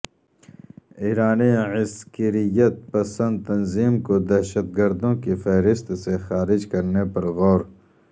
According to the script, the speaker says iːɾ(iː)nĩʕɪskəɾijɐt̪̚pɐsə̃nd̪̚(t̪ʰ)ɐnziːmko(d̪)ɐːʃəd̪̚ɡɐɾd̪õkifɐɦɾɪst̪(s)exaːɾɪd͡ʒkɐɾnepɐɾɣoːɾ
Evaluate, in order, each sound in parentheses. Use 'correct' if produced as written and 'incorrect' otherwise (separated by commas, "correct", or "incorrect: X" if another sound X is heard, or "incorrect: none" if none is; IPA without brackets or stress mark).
incorrect: aː, incorrect: t̪, correct, correct